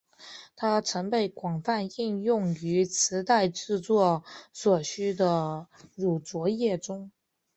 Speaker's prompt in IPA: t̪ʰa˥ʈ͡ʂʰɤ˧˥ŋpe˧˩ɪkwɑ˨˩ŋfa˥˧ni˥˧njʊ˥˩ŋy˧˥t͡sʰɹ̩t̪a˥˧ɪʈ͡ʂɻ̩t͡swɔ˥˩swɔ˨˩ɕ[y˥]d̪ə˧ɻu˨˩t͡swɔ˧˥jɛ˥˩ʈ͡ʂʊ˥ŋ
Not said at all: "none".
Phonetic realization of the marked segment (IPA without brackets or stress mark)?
y˥